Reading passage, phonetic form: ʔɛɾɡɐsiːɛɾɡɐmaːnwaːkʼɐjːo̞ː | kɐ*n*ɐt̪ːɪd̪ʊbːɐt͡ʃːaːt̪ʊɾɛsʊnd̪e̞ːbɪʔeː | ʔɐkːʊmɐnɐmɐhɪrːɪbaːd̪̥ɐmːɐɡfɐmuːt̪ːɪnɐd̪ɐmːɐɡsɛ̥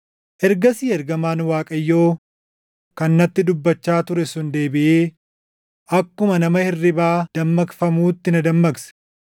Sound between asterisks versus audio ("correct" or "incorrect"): incorrect